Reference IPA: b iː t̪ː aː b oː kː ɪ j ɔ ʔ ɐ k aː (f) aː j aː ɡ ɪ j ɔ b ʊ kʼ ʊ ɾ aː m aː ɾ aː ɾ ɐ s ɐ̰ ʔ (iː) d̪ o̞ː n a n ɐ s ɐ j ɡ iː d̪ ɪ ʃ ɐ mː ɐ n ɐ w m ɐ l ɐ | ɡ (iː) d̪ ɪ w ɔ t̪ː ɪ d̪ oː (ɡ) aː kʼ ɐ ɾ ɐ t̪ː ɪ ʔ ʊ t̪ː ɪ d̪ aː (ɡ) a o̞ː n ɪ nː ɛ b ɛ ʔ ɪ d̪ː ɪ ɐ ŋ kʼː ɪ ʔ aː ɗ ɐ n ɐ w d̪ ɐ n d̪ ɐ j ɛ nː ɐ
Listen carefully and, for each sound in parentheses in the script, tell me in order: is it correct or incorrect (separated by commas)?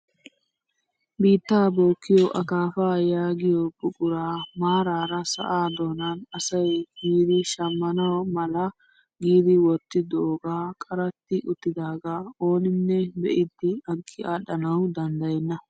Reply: correct, incorrect, correct, correct, correct